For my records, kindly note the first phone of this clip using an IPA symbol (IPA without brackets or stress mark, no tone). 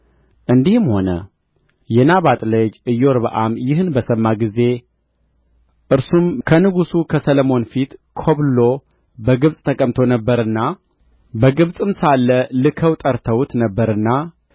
ʔ